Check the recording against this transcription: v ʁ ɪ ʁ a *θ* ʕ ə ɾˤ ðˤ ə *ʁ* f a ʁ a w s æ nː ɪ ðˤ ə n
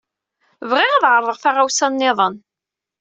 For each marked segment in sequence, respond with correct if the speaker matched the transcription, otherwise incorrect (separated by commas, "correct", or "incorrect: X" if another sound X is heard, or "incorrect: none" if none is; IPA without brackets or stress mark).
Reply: incorrect: ð, correct